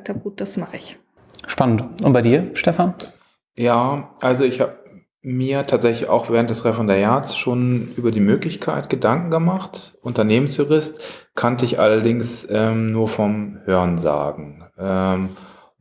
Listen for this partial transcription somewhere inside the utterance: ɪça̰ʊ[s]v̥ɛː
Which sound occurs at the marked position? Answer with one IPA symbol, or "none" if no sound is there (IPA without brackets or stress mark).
x